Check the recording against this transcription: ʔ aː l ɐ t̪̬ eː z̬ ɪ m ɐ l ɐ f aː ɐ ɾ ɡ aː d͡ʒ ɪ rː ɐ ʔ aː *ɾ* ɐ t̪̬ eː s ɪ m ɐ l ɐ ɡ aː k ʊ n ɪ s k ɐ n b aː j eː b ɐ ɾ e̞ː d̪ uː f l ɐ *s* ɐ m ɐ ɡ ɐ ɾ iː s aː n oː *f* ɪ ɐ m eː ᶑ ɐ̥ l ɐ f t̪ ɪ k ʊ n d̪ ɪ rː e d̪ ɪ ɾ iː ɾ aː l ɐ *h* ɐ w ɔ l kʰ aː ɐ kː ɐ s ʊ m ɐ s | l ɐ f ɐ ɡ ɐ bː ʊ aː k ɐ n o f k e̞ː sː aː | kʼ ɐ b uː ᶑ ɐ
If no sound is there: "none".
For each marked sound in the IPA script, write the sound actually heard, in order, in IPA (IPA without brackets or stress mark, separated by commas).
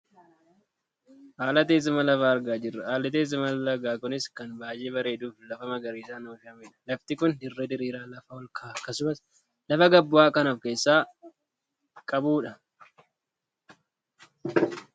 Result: l, f, f, f